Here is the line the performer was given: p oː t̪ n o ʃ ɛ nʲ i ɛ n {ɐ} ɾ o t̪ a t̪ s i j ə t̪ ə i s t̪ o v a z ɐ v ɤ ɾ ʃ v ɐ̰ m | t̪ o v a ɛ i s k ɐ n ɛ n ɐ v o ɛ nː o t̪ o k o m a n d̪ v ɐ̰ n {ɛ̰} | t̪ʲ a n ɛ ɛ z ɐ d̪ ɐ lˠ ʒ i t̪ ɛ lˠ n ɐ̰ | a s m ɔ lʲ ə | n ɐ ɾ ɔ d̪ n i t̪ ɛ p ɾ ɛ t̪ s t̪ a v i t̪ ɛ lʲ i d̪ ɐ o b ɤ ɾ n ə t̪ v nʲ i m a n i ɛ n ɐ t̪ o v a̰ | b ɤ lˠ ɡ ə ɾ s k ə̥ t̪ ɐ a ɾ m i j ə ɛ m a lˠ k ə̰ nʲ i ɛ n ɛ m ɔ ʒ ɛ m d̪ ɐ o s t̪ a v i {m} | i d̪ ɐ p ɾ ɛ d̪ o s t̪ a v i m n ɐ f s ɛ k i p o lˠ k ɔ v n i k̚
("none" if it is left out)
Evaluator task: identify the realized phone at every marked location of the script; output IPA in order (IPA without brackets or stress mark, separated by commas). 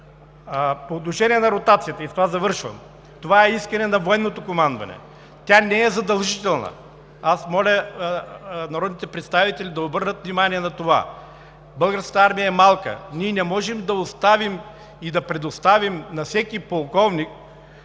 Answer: ɐ, ɛ̰, m